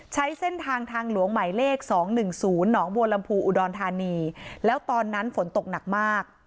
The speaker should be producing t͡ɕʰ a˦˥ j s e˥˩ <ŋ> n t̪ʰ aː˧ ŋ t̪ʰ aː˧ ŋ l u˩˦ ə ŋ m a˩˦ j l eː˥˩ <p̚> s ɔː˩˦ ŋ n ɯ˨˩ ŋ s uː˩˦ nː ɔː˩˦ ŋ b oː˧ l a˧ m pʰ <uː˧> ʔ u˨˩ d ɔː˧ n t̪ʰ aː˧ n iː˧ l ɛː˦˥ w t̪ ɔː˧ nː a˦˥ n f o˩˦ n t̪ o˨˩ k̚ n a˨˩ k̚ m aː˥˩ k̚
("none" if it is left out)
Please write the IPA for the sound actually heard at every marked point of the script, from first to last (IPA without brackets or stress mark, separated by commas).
none, k̚, uː˧